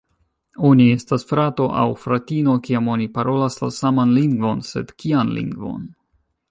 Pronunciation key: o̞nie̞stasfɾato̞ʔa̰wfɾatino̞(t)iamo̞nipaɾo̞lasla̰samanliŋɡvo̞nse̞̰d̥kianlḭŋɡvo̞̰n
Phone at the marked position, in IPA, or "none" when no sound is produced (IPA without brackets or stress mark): k